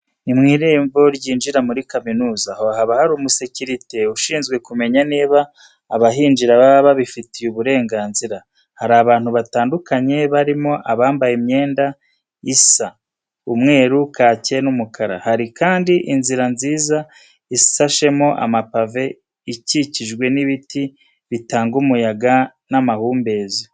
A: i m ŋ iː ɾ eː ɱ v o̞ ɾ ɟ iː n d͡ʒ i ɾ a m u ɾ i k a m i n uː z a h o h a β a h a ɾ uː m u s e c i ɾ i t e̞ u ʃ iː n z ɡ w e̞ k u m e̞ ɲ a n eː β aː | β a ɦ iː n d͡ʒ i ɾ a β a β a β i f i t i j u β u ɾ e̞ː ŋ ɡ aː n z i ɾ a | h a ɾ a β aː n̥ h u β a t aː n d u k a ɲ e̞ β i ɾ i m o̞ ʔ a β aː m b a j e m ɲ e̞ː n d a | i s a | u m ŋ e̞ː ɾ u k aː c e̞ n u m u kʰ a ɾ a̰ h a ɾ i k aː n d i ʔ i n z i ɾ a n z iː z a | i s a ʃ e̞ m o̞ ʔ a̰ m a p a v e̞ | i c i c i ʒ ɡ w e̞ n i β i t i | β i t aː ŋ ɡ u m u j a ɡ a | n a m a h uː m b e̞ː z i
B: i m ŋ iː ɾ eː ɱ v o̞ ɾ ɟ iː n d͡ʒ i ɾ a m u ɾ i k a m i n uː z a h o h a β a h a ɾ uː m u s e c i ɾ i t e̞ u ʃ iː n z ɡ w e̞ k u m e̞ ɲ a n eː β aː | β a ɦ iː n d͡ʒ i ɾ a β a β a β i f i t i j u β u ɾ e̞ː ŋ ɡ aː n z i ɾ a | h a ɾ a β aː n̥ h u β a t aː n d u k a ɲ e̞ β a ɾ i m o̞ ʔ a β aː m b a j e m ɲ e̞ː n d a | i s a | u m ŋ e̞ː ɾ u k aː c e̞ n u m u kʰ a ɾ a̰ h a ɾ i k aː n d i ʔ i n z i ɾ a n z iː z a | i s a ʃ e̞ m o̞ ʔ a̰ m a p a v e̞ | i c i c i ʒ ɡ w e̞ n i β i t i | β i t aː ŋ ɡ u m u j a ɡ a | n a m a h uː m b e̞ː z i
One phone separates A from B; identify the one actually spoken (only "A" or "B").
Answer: B